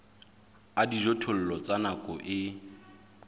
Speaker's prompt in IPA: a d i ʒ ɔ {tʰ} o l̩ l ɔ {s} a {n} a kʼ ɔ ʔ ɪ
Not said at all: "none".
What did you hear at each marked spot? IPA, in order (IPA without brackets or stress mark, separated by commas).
tʰ, t͡s, n